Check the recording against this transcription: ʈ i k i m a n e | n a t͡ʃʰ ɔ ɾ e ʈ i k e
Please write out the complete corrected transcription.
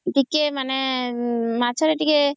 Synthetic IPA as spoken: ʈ i k e m a n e | m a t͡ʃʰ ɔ ɾ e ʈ i k e